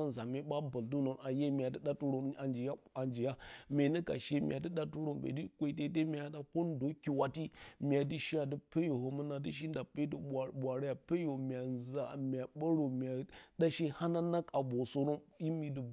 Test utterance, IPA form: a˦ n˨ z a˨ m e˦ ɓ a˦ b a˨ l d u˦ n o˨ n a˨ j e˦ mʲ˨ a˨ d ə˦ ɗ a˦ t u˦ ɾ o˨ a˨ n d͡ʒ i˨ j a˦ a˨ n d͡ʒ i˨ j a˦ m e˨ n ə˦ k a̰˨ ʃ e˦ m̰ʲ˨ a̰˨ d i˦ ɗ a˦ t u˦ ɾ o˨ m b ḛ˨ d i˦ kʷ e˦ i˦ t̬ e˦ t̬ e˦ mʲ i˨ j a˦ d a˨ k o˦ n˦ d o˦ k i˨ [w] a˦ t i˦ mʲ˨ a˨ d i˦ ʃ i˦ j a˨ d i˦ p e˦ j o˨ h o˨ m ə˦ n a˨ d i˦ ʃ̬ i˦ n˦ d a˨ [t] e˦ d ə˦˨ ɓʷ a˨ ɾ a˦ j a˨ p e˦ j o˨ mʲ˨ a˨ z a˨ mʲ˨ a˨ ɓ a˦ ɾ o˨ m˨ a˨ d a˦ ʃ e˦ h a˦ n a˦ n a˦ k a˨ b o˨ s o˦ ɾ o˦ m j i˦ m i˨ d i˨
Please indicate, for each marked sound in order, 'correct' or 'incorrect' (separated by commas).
correct, incorrect